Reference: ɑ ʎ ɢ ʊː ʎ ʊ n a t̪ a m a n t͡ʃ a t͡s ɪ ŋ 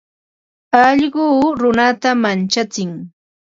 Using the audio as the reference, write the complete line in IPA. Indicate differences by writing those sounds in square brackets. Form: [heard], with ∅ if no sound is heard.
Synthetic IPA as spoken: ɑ ʎ ɢ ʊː [ɾ] ʊ n a t̪ a m a n t͡ʃ a t͡s ɪ ŋ